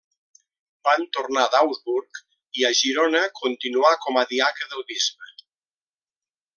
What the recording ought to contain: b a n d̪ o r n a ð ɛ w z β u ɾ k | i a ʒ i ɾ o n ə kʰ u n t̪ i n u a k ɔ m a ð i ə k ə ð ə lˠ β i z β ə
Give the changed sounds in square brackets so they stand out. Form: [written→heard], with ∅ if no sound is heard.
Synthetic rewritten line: b a n [d̪→t̪] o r n a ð [ɛ→a] w z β u ɾ k | i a ʒ i ɾ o n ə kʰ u n t̪ i n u a k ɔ m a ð i [ə→a] k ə ð ə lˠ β i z β ə